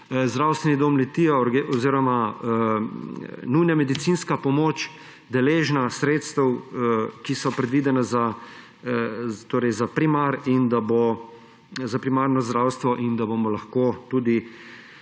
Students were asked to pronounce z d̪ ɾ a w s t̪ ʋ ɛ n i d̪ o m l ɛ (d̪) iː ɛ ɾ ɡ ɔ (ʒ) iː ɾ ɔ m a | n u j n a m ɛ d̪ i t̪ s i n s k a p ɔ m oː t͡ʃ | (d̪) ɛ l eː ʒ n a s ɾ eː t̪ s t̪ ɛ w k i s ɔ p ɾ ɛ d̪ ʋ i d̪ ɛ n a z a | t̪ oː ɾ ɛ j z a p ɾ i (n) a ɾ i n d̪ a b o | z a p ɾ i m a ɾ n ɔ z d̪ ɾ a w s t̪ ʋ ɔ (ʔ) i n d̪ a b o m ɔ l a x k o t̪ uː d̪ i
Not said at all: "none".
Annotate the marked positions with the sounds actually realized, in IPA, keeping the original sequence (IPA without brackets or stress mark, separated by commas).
t̪, z, d̪, m, ʔ